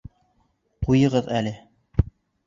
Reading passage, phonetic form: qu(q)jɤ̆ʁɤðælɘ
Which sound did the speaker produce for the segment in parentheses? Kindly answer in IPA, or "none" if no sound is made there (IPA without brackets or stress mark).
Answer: none